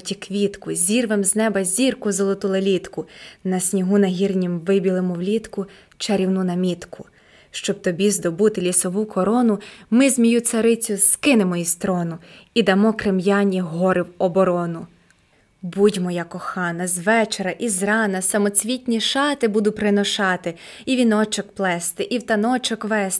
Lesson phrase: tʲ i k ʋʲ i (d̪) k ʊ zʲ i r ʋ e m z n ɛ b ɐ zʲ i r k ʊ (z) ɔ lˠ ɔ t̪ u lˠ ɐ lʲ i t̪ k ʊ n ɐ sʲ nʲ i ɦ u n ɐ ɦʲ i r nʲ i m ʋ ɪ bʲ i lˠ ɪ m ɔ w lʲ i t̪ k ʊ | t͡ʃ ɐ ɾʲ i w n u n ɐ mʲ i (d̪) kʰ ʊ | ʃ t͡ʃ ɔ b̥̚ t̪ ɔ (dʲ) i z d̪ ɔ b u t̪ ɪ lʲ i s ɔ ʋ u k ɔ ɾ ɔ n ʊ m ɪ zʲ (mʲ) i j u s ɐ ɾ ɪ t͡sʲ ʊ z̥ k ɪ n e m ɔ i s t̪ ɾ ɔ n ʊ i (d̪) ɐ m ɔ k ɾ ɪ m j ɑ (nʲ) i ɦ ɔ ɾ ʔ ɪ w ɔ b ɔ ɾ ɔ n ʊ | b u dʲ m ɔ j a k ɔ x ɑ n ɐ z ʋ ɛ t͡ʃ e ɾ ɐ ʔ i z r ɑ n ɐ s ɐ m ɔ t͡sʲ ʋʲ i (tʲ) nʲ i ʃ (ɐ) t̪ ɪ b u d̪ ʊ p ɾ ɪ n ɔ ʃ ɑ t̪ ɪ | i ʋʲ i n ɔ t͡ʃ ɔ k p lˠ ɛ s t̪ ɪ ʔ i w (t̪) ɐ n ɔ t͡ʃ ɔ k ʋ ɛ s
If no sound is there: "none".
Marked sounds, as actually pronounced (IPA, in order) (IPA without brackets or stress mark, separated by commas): t̪, z, t̪, bʲ, mʲ, d̪, nʲ, tʲ, ɑ, t̪